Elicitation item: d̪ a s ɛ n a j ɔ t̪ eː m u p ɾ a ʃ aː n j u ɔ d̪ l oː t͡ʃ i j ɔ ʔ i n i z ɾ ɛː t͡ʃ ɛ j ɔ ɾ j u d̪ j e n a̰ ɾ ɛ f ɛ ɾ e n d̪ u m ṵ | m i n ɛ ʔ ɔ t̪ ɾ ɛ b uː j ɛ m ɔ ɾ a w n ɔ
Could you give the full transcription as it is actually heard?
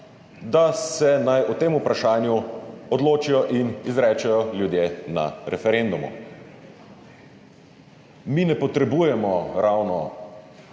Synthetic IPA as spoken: d̪ a s ɛ n a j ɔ t̪ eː m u p ɾ a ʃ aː n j u ɔ d̪ l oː t͡ʃ i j ɔ ʔ i n i z ɾ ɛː t͡ʃ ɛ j ɔ l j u d̪ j e n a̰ ɾ ɛ f ɛ ɾ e n d̪ u m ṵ | m i n ɛ p ɔ t̪ ɾ ɛ b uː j ɛ m ɔ ɾ a w n ɔ